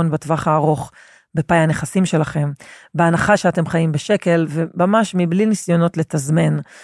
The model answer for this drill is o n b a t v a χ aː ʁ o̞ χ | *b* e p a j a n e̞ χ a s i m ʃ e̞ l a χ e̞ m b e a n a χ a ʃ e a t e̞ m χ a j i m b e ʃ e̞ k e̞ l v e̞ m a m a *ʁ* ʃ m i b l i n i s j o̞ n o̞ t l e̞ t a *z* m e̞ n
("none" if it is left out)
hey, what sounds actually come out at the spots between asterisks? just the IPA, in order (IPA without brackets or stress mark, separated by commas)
b, none, z